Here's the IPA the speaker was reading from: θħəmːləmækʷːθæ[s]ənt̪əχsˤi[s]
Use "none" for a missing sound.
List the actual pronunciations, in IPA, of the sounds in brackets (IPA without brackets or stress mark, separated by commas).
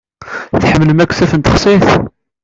θ, θ